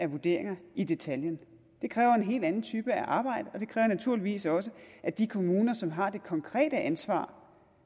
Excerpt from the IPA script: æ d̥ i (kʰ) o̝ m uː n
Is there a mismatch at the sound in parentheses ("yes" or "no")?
no